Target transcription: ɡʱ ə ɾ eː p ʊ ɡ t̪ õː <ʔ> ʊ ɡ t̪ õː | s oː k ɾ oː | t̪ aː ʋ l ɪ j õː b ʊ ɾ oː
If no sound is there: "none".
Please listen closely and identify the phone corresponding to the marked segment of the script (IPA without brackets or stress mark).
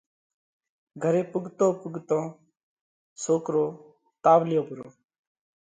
p